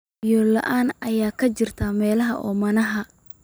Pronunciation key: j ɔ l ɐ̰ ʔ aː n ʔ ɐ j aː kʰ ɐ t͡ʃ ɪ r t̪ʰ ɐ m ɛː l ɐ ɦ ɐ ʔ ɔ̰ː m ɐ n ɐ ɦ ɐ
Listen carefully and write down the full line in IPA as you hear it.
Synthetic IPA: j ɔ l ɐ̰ ʔ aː n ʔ ɐ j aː kʰ ɐ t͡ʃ ɪ r t̪ʰ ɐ m ɛː l ɐ ɦ ɐ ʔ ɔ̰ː m ɐ n ɐ ɦ ɐ